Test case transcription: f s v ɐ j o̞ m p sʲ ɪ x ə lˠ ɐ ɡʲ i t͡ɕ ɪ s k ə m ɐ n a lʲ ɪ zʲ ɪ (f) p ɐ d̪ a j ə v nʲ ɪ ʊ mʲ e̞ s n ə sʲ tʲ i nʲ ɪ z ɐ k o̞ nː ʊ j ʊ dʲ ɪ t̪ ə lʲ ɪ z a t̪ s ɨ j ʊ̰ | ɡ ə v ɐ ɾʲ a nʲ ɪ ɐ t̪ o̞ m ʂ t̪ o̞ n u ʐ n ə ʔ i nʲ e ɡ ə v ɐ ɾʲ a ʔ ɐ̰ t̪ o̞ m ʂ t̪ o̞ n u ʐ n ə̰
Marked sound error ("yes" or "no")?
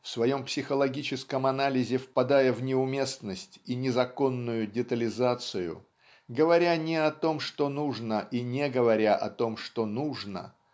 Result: no